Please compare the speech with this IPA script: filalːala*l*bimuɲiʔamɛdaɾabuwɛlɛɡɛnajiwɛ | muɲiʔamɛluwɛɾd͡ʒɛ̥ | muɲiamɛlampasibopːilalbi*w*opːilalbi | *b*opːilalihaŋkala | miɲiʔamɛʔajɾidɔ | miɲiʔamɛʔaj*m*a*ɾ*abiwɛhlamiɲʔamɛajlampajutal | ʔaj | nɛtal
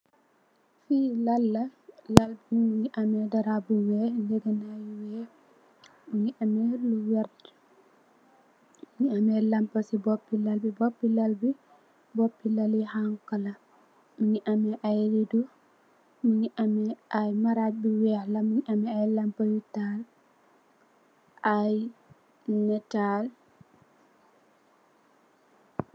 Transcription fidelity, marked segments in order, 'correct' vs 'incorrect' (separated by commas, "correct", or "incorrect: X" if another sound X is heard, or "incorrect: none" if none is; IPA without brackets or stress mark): correct, incorrect: b, correct, correct, correct